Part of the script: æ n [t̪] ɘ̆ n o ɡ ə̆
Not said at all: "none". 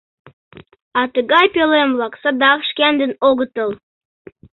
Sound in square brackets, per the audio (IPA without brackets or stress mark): d̪